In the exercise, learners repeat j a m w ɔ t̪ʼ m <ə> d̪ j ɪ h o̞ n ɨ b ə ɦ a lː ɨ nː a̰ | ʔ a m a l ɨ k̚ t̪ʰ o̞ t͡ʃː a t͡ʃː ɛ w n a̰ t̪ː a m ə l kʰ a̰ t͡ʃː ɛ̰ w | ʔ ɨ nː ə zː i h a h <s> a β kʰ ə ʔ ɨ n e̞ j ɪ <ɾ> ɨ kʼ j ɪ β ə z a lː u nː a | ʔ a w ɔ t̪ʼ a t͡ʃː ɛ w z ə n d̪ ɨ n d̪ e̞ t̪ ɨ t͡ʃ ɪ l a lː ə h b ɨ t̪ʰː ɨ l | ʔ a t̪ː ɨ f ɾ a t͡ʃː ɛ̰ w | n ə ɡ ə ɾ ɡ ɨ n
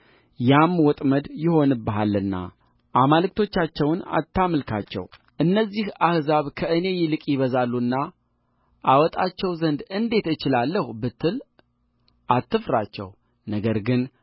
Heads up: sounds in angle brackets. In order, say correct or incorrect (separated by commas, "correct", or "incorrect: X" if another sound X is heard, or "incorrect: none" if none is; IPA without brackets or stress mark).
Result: correct, incorrect: z, incorrect: l